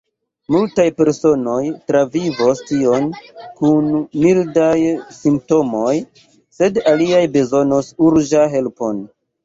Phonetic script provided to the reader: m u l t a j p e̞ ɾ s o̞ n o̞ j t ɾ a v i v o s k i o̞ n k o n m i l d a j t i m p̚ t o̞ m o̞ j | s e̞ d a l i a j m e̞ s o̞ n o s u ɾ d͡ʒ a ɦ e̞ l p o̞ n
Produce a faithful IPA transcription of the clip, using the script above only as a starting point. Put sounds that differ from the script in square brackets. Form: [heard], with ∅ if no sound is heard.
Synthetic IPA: m u l t a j p e̞ ɾ s o̞ n o̞ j t ɾ a v i v o s [t] i o̞ n k [u] n m i l d a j [s] i m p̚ t o̞ m o̞ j | s e̞ d a l i a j [b] e̞ [z] o̞ n o s u ɾ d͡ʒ a ɦ e̞ l p o̞ n